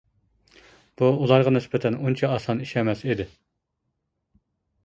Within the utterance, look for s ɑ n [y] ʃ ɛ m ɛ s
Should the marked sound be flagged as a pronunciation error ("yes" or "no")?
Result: yes